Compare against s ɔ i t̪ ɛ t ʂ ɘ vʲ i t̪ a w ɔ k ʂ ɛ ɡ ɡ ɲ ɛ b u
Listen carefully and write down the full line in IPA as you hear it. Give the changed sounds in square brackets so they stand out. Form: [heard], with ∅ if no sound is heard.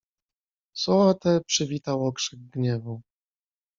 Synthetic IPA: s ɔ [a] t̪ ɛ [p] ʂ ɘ vʲ i t̪ a w ɔ k ʂ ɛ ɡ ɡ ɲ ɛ [v] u